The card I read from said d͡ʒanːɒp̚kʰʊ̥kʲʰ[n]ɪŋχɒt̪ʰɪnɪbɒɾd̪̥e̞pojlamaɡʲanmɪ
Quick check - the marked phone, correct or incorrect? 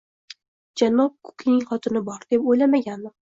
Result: correct